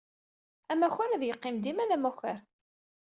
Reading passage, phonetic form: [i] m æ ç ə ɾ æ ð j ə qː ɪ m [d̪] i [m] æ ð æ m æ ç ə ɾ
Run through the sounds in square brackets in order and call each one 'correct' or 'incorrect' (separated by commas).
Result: incorrect, correct, correct